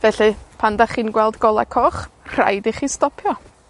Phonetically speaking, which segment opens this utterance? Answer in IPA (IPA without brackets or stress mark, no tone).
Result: v